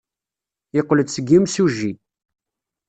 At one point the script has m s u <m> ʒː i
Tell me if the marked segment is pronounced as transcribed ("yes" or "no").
no